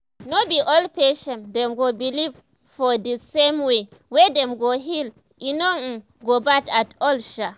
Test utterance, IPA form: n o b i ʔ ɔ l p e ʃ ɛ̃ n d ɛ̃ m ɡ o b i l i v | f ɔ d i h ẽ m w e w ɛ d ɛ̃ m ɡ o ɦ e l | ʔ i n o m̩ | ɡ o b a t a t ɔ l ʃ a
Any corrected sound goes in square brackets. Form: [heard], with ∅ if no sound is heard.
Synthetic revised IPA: n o b i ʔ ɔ l p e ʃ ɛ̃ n d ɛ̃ m ɡ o b i l i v | f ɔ d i [s] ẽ m w e w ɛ d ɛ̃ m ɡ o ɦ [i] l | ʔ i n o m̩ | ɡ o b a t a t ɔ l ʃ a

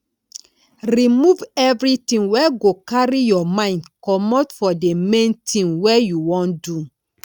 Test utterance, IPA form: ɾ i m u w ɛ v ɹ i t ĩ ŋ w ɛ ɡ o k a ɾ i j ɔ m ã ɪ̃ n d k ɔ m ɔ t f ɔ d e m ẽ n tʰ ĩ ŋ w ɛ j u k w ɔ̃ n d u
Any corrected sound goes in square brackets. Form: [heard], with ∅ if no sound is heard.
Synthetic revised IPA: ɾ i m u [v] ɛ v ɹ i t ĩ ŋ w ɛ ɡ o k a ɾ i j ɔ m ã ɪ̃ n d k ɔ m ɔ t f ɔ d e m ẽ n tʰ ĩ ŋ w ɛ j u [∅] w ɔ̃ n d u

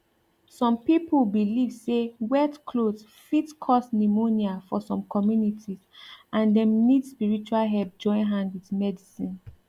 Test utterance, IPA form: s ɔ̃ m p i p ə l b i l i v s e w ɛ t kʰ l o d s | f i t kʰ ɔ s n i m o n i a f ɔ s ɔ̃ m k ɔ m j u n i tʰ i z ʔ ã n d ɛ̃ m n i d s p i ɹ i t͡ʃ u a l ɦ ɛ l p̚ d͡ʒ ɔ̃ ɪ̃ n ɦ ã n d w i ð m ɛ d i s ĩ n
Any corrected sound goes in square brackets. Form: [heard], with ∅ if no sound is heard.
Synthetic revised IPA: s ɔ̃ m p i p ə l b i l i v s e w ɛ t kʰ l o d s | f i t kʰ ɔ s n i m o n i a f ɔ s ɔ̃ m k ɔ m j u n i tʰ i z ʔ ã n d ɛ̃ m n i d s p i ɹ i t͡ʃ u a l ɦ ɛ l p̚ d͡ʒ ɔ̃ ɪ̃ n ɦ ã n d w i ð m ɛ d i s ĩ n

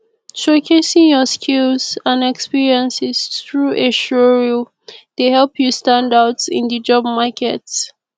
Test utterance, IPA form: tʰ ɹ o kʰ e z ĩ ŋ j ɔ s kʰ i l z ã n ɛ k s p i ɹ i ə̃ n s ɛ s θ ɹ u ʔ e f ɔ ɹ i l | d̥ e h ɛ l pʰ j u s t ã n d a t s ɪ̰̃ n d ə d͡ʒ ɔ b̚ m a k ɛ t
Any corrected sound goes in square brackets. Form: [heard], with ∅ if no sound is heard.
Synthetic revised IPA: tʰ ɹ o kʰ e [s] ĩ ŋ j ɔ s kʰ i l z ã n ɛ k s p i ɹ i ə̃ n s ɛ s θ ɹ u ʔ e [ʃ] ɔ ɹ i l | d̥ e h ɛ l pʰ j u s t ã n d a t s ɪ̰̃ n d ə d͡ʒ ɔ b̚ m a k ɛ t

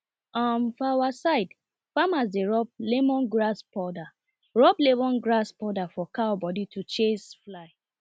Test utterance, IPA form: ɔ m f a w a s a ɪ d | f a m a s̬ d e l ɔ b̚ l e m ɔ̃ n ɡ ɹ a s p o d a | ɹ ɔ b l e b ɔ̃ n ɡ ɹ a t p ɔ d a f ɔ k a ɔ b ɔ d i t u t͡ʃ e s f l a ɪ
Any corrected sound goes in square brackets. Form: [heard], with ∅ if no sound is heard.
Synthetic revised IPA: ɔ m f a w a s a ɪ d | f a m a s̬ d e [ɹ] ɔ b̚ l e m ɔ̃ n ɡ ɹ a s p [ɔ] d a | ɹ ɔ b l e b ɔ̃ n ɡ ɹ a [s] p ɔ d a f ɔ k a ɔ b ɔ d i t u t͡ʃ e s f l a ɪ

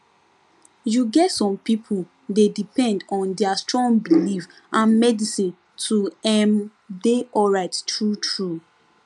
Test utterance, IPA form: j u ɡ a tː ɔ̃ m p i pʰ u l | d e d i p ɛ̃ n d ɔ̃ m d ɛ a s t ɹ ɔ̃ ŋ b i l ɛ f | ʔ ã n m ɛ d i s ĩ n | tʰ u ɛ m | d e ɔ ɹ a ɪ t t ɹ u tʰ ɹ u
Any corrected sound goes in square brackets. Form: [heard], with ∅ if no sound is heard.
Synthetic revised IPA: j u ɡ [ɛ] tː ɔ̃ m p i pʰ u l | d e d i p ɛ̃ n d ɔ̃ [n] d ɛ a s t ɹ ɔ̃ ŋ b i l [i] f | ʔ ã n m ɛ d i s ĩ n | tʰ u ɛ m | d e ɔ ɹ a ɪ t t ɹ u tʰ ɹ u

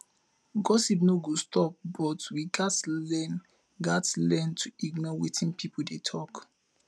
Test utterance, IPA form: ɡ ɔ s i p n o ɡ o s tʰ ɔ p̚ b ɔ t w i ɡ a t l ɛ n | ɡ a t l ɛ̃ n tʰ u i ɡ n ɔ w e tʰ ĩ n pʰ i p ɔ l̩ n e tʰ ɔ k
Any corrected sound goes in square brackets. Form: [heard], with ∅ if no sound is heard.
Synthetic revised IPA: ɡ ɔ s i p n o ɡ o s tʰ ɔ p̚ b ɔ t w i ɡ a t l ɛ n | ɡ a t l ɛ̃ n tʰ u i ɡ n ɔ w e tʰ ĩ n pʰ i p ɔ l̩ [d] e tʰ ɔ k

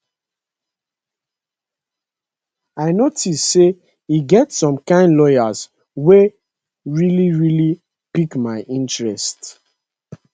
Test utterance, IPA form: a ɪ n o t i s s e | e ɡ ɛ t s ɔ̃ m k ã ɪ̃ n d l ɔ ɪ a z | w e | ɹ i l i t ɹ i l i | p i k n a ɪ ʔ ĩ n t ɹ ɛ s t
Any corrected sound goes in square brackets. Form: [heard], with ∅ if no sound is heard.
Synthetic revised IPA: a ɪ n o t i s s e | [i] ɡ ɛ t s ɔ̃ m k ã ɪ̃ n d l ɔ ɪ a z | w e | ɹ i l i [∅] ɹ i l i | p i k [m] a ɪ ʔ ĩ n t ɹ ɛ s t

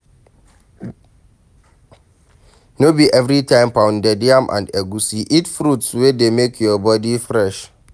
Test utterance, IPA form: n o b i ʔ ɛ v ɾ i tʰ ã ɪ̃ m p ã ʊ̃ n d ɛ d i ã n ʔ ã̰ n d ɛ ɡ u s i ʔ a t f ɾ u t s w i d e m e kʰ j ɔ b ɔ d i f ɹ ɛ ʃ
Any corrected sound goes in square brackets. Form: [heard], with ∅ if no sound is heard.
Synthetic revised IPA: n o b i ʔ ɛ v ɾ i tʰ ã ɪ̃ m p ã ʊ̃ n d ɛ d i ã [m] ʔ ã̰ n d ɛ ɡ u s i ʔ [i] t f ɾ u t s w [e] d e m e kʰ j ɔ b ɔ d i f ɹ ɛ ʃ

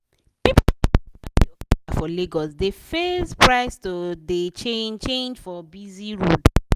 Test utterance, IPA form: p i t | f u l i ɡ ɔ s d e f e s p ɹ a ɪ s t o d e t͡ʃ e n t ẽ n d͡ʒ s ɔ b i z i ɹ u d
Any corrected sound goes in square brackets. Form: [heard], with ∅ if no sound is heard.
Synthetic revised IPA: p i [p] | f [ɔ] l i ɡ ɔ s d e f e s p ɹ a ɪ s t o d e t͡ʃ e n [t͡ʃ] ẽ n d͡ʒ [f] ɔ b i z i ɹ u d

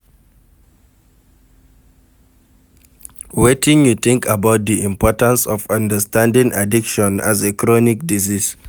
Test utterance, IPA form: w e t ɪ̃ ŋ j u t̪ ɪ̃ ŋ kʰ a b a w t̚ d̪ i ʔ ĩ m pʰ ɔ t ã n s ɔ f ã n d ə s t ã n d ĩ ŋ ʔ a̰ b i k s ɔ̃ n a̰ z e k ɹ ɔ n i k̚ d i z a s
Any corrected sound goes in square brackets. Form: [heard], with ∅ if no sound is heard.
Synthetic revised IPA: w e t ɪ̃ ŋ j u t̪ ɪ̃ ŋ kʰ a b a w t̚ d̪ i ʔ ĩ m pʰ ɔ t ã n s ɔ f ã n d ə s t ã n d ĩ ŋ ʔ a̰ [d] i k [ʃ] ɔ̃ n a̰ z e k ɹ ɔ n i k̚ d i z [i] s

